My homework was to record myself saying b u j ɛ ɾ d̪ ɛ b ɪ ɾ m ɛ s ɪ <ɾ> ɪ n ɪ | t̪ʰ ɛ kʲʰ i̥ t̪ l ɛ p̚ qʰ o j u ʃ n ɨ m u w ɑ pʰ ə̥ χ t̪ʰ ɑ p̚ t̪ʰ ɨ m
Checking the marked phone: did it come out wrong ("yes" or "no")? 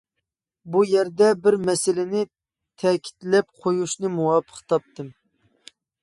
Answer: yes